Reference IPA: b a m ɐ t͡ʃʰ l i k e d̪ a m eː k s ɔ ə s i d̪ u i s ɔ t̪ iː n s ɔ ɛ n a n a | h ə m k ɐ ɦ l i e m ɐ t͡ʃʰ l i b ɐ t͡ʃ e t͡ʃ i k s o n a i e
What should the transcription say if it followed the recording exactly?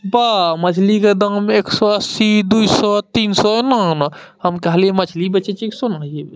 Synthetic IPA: b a m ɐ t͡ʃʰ l i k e d̪ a m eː k s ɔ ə s i d̪ u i s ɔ t̪ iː n s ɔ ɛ n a n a | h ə m k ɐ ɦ l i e m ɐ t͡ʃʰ l i b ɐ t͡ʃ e t͡ʃ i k s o n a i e